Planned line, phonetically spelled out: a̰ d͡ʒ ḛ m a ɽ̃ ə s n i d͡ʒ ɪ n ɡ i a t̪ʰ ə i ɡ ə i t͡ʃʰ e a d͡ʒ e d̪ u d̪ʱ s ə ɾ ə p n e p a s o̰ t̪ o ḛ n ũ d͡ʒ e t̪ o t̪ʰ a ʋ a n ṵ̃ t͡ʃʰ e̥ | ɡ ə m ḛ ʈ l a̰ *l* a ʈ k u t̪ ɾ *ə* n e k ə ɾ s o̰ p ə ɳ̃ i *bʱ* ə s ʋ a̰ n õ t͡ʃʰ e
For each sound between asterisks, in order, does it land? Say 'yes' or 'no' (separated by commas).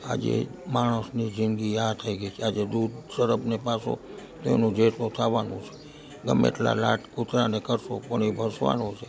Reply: yes, no, yes